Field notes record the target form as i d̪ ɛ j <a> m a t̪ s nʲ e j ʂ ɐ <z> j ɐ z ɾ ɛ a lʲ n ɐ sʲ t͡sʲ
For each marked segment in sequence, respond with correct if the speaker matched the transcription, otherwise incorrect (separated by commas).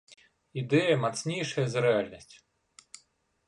incorrect, incorrect